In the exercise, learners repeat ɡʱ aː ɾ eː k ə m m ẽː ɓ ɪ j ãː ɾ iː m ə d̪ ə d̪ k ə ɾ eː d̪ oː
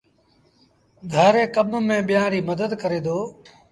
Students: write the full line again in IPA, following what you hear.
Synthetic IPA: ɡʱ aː ɾ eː k ə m m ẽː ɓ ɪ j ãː ɾ iː m ə d̪ ə d̪ k ə ɾ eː d̪ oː